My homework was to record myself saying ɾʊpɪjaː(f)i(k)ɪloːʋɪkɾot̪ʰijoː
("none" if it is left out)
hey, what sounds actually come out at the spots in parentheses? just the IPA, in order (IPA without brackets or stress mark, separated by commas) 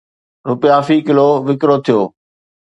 f, k